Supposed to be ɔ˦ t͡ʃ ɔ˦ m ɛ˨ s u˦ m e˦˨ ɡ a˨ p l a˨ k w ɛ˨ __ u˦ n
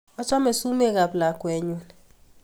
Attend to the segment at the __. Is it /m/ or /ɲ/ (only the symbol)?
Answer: ɲ